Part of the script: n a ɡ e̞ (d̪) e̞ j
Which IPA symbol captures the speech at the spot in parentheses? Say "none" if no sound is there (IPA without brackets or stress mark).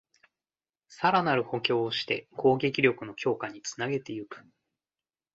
t̪